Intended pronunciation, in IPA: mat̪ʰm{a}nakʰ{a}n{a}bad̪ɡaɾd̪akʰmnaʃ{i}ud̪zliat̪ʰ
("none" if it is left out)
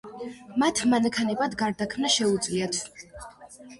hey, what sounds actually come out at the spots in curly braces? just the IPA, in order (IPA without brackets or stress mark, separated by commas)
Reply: a, a, ɛ, ɛ